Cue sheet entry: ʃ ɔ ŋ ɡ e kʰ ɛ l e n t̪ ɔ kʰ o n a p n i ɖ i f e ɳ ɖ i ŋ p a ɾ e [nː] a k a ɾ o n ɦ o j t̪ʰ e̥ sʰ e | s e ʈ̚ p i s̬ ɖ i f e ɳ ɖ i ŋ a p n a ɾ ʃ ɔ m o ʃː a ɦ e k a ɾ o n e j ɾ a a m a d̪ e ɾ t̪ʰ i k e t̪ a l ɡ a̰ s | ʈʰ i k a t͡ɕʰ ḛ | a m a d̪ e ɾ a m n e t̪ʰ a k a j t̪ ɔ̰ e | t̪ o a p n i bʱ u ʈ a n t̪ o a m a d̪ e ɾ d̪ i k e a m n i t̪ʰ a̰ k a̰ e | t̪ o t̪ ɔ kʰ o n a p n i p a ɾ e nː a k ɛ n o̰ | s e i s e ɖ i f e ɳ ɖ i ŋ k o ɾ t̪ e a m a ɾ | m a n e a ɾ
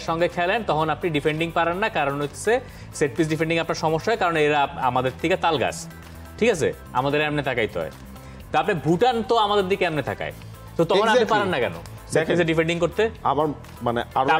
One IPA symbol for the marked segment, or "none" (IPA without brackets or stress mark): nː